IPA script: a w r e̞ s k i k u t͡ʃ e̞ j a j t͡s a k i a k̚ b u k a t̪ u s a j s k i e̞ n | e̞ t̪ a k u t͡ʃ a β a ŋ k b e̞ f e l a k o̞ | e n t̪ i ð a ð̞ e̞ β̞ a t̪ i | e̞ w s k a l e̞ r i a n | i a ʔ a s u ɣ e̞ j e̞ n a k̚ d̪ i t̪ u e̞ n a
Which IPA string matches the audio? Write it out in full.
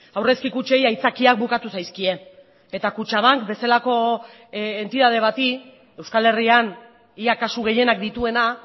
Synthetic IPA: a w r e̞ s k i k u t͡ʃ e̞ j a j t͡s a k i a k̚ b u k a t̪ u s a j s k i e̞ n | e̞ t̪ a k u t͡ʃ a β a ŋ k b e̞ s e l a k o̞ | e n t̪ i ð a ð̞ e̞ β̞ a t̪ i | e̞ w s k a l e̞ r i a n | i a k a s u ɣ e̞ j e̞ n a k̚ d̪ i t̪ u e̞ n a